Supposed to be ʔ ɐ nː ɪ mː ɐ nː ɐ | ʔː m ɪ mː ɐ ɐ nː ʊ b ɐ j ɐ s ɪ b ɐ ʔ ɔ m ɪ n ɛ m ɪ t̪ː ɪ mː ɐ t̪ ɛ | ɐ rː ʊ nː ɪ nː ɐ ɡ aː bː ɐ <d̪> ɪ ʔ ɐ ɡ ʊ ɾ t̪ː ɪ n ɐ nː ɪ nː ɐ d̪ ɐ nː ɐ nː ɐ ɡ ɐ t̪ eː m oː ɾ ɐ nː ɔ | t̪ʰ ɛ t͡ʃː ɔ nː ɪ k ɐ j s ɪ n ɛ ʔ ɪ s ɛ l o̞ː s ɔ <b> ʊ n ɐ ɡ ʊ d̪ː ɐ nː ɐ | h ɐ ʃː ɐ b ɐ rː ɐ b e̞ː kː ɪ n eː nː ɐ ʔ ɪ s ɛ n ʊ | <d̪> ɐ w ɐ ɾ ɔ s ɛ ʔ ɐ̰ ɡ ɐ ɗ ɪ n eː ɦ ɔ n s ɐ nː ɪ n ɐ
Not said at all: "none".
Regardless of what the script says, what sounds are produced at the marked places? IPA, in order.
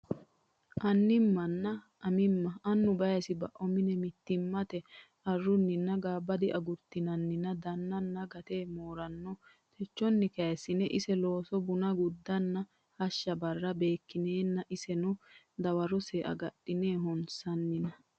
d̪, b, d̪

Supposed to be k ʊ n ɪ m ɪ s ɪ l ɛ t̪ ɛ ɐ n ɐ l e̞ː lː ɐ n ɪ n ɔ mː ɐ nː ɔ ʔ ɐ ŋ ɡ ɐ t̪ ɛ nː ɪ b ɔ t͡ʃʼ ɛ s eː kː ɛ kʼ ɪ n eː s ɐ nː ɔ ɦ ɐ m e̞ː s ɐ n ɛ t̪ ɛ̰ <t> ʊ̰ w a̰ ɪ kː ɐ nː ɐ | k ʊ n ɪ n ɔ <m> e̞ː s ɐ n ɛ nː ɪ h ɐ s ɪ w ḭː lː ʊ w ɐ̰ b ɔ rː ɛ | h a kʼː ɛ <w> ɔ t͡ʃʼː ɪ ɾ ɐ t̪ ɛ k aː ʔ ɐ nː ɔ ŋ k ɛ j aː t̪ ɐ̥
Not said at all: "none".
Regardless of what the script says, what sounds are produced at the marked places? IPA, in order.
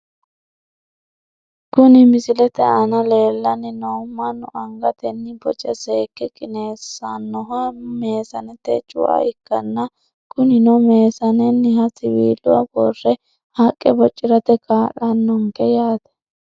t͡ʃʼ, m, b

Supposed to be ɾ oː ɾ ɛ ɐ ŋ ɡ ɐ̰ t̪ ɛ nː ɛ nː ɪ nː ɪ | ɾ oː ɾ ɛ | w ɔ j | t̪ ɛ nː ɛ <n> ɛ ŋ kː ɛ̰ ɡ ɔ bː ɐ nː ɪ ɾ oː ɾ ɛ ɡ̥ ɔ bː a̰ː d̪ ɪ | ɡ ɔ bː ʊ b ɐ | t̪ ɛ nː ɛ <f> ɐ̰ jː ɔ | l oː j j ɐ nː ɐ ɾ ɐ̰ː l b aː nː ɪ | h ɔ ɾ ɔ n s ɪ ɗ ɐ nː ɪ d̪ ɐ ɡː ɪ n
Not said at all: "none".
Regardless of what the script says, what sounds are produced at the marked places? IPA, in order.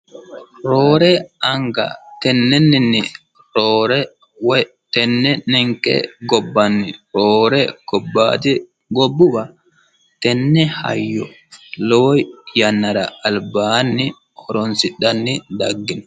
n, h

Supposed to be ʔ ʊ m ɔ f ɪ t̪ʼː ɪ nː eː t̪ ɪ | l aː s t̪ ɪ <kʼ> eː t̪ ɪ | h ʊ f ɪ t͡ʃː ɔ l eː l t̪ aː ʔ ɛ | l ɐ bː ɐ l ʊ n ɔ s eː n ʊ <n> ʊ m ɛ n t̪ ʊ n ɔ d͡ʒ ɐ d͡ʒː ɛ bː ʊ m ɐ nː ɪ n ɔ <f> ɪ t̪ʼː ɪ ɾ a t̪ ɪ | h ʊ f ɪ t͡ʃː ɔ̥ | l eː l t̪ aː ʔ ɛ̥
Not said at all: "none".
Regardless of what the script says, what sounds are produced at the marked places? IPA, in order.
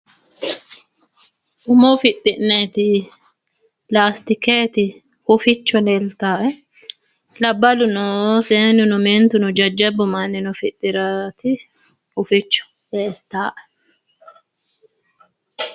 k, n, f

